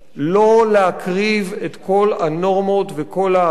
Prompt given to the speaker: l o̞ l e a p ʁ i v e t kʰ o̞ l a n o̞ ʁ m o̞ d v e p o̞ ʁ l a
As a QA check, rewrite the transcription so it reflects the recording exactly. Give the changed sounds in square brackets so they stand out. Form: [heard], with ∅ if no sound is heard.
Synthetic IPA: l o̞ l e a [k] ʁ i v e t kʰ o̞ l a n o̞ ʁ m o̞ [t] v e [k] o̞ [∅] l a